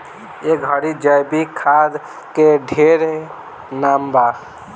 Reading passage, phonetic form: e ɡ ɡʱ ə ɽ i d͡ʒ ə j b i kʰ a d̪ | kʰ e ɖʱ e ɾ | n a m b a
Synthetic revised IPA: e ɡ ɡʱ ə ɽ i d͡ʒ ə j b i kʰ a d̪ | k e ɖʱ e ɾ | n a m b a